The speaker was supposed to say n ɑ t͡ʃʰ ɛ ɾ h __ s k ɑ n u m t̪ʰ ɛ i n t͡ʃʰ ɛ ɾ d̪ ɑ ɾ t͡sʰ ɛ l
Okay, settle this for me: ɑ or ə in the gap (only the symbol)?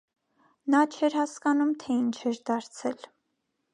ɑ